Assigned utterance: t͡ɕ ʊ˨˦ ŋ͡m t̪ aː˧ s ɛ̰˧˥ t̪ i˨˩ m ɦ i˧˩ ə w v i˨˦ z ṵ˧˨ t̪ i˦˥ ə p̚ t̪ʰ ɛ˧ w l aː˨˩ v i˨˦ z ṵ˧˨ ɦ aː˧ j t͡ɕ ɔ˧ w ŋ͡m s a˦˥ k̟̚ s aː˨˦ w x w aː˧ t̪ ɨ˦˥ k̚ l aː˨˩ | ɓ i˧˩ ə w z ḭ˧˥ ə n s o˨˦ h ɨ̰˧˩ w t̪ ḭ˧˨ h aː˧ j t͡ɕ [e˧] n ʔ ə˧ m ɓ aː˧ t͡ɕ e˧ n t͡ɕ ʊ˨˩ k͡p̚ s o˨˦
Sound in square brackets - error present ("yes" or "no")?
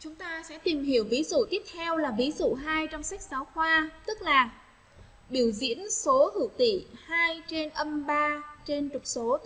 no